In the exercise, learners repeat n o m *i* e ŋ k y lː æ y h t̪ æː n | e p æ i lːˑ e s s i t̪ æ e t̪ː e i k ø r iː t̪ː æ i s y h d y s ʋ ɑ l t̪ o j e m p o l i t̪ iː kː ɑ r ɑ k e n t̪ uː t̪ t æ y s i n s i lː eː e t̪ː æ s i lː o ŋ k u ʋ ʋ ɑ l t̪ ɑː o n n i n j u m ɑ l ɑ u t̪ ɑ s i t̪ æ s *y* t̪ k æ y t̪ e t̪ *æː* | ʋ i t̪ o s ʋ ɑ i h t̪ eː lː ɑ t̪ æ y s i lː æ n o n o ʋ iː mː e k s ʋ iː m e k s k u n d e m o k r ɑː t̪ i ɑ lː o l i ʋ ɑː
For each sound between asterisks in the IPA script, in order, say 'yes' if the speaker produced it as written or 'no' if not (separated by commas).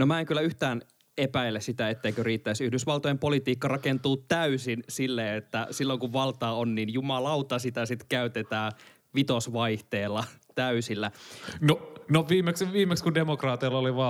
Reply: no, no, yes